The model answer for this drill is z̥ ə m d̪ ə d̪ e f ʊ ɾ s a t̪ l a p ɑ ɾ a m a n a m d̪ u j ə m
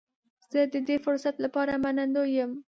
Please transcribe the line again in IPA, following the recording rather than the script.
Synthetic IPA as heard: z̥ ə d̪ ə d̪ e f ʊ ɾ s a t̪ l a p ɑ ɾ a m a n a n d̪ o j ə m